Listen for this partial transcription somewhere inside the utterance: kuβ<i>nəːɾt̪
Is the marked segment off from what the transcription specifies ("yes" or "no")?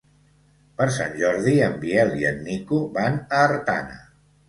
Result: yes